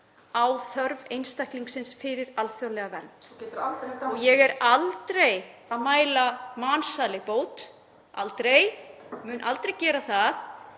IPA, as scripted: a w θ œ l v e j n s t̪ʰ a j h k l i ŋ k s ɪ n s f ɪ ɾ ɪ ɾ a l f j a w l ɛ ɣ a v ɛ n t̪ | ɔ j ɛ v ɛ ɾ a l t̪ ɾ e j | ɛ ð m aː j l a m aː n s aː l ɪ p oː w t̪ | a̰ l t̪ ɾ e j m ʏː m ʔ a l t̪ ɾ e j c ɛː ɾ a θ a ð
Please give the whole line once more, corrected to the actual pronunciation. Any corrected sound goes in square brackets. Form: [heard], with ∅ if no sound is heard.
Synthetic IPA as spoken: a w θ œ [ɾ] v e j n s [t̪] a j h k l i ŋ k s ɪ n s f ɪ ɾ ɪ ɾ a l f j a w l ɛ ɣ a v ɛ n t̪ | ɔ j ɛ [ɣ] ɛ ɾ a l t̪ ɾ e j | [a] ð m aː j l a m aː n s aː l ɪ p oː w t̪ | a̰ l t̪ ɾ e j m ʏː [n] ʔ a l t̪ ɾ e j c ɛː ɾ a θ a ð